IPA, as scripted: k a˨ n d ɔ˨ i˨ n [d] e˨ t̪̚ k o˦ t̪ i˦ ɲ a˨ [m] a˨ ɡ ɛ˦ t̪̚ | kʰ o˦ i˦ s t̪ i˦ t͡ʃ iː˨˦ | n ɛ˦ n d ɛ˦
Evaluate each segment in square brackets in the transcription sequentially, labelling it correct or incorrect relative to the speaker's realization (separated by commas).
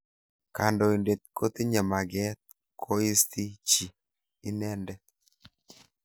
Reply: correct, correct